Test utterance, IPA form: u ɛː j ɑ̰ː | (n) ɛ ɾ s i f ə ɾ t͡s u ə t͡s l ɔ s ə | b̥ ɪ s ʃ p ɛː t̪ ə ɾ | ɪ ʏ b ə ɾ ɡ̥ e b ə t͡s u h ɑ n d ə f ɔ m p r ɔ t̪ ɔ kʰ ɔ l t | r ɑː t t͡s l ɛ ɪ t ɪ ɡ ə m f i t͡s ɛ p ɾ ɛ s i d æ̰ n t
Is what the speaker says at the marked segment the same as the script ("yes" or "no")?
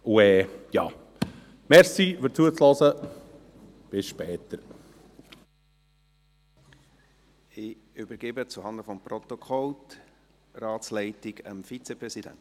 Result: no